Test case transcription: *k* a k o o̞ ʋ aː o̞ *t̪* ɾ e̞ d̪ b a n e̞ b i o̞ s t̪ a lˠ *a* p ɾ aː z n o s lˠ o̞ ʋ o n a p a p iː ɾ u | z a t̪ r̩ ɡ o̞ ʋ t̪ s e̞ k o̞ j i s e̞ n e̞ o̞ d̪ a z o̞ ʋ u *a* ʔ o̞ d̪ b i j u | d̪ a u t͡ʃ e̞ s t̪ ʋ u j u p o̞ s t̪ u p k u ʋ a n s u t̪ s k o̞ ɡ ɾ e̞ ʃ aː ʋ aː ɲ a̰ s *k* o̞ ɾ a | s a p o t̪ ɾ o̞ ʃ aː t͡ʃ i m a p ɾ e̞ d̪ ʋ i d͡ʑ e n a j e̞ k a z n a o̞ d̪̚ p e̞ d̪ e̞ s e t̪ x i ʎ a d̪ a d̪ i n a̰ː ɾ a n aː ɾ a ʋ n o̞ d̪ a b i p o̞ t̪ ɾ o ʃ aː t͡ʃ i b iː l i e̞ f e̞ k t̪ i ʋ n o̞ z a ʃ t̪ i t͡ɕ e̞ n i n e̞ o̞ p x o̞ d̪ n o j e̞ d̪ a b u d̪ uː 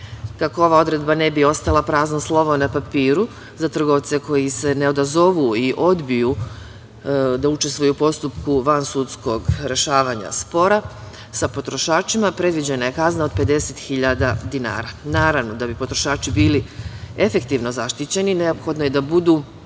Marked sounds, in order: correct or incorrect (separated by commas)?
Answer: correct, incorrect, correct, incorrect, incorrect